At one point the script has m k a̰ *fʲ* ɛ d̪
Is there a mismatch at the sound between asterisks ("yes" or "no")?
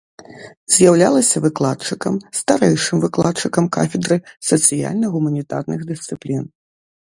no